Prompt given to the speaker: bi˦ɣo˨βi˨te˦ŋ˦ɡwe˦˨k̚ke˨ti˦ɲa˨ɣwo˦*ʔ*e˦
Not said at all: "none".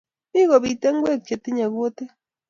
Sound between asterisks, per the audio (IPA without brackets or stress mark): t